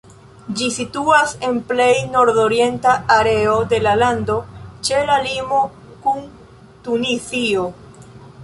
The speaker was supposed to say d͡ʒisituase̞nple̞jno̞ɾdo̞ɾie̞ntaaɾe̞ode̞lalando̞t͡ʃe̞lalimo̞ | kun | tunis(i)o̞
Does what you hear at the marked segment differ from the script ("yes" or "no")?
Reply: no